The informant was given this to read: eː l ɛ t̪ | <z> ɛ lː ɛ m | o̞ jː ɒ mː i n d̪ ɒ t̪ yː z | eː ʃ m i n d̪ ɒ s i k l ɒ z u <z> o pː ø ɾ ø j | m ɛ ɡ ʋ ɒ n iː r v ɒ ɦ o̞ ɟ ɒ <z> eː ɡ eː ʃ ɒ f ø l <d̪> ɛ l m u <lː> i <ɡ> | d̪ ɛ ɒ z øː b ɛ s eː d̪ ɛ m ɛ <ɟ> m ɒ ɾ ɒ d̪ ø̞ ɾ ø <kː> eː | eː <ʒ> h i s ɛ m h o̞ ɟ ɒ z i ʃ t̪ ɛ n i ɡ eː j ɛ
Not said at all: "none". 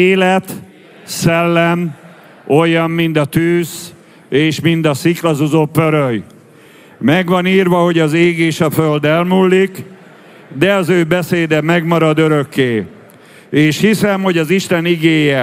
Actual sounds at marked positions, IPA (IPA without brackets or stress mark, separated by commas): s, z, z, d̪, lː, k, ɡ, kː, ʃ